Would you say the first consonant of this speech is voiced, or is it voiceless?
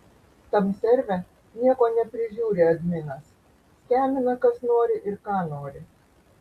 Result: voiceless